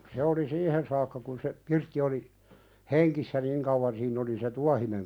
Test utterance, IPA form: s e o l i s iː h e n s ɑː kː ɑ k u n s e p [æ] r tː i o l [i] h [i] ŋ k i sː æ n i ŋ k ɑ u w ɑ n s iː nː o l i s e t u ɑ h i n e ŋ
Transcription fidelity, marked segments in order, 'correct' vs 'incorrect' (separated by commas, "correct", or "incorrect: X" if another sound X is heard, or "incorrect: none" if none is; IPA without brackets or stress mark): incorrect: i, correct, incorrect: e